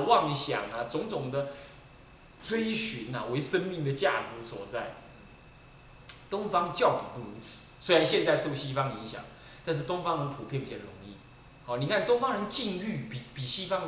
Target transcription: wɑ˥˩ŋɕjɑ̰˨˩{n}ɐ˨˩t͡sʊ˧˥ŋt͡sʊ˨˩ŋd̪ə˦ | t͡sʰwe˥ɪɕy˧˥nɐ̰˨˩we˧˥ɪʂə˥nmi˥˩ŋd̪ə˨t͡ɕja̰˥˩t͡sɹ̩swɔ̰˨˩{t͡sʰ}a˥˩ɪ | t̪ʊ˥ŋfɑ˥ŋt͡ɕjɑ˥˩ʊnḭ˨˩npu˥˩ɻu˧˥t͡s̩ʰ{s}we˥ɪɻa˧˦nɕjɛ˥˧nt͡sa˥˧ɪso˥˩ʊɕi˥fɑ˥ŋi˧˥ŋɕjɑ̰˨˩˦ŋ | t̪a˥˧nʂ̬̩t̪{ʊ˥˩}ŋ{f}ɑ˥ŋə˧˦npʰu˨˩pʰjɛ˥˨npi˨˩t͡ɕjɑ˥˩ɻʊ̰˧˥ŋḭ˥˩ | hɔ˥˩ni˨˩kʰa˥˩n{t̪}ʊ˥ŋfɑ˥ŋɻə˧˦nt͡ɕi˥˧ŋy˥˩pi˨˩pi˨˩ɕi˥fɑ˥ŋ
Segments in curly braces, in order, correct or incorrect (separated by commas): incorrect, incorrect, correct, incorrect, correct, correct